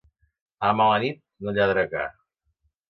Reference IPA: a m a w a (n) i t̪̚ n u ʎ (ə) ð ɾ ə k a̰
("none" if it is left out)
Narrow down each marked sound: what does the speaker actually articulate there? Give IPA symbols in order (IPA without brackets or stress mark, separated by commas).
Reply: n, a